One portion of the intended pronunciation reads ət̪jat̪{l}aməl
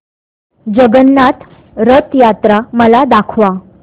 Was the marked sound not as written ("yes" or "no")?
yes